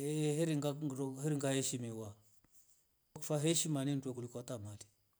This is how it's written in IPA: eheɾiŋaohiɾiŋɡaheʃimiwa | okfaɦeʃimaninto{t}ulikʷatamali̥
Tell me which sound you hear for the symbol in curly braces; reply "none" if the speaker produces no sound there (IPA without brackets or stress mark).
k